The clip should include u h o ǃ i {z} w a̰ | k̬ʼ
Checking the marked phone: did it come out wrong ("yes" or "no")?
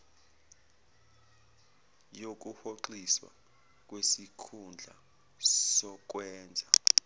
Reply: yes